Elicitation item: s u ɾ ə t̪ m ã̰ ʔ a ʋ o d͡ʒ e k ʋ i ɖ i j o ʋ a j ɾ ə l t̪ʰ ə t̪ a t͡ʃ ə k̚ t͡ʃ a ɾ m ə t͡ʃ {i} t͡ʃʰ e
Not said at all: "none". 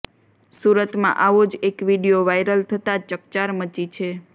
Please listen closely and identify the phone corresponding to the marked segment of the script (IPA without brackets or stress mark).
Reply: i